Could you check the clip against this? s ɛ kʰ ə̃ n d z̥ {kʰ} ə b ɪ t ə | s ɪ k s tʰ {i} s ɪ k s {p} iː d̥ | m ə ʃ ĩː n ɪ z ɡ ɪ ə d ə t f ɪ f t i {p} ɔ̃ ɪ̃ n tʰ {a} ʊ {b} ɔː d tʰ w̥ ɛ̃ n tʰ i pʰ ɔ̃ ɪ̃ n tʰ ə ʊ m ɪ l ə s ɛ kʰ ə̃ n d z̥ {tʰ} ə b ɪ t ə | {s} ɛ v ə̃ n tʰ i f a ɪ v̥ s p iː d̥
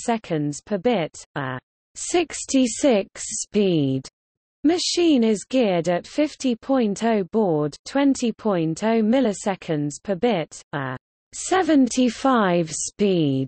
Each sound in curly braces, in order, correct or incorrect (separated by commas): incorrect, correct, correct, incorrect, incorrect, correct, incorrect, correct